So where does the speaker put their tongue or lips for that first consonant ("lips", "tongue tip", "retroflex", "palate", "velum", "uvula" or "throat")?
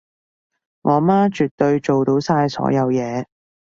velum